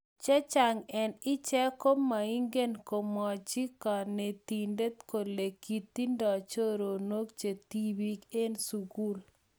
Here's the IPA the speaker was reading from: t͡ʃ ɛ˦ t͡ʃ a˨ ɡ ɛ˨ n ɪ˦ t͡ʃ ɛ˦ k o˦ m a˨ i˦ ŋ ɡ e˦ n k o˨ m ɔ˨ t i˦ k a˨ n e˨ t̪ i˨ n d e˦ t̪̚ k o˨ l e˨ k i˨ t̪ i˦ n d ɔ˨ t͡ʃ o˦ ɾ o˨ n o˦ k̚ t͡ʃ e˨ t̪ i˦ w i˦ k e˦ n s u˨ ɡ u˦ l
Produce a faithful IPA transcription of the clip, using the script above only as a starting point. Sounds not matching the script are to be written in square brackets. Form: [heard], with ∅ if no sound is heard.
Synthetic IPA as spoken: t͡ʃ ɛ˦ t͡ʃ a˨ [ŋ] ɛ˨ n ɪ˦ t͡ʃ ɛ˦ k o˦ m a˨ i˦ ŋ ɡ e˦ n k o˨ m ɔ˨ [t͡ʃ] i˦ k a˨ n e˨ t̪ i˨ n d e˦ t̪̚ k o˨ l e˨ k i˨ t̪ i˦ n d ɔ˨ t͡ʃ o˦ ɾ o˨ n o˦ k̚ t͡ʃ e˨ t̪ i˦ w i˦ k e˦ n s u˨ ɡ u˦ l